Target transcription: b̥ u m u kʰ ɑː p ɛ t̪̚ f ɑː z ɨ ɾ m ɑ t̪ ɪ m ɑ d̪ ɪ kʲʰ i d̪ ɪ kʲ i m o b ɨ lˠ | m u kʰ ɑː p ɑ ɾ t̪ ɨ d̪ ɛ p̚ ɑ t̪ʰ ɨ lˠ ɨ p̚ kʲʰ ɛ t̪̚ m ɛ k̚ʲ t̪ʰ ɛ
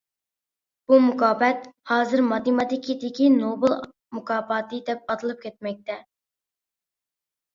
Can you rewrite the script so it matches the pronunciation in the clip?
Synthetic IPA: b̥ u m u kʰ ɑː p ɛ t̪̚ h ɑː z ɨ ɾ m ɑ t̪ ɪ m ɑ t̪ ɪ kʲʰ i d̪ ɪ kʲ i n o b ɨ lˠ | m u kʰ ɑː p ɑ t̪ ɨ d̪ ɛ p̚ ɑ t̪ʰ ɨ lˠ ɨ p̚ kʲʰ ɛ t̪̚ m ɛ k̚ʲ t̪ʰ ɛ